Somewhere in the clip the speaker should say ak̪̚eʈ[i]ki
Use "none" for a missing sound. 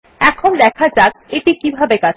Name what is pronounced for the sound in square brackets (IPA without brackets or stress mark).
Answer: i